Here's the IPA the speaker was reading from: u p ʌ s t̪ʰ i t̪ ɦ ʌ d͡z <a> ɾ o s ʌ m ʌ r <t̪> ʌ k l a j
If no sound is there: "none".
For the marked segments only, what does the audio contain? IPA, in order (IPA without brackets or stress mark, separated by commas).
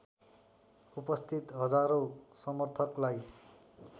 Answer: a, t̪ʰ